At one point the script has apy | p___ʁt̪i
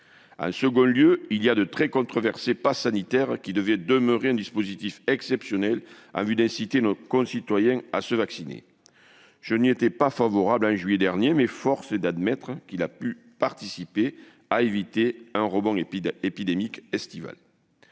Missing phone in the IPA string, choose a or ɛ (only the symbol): a